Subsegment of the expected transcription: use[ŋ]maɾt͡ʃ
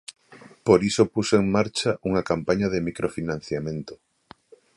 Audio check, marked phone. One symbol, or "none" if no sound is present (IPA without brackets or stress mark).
ŋ